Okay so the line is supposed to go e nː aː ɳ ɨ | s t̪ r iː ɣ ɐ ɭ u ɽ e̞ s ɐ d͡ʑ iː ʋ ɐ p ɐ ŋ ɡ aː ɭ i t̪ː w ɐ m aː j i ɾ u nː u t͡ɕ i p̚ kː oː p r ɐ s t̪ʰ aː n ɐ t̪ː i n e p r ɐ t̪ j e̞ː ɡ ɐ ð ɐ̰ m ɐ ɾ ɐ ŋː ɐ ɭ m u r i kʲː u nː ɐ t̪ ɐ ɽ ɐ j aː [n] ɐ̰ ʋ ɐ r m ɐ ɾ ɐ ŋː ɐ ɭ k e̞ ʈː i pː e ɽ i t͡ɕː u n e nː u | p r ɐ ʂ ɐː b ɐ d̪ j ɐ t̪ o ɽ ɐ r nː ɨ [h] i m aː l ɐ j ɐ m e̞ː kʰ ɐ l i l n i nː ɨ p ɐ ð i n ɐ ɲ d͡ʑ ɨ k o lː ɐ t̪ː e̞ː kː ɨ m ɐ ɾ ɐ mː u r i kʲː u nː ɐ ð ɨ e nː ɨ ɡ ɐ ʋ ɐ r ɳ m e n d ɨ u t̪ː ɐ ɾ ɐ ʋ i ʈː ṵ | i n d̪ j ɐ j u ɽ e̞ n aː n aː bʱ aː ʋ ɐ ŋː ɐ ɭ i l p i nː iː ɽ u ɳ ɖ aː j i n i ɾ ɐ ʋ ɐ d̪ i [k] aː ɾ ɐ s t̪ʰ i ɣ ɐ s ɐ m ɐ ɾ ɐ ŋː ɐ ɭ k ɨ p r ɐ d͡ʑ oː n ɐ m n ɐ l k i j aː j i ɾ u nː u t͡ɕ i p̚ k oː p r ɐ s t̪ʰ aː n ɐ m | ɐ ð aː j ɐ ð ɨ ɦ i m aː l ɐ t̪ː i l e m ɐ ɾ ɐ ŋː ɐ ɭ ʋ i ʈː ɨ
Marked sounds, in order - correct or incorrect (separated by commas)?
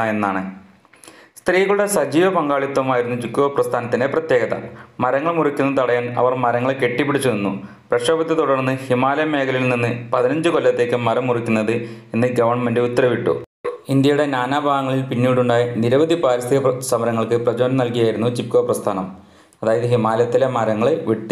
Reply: correct, correct, incorrect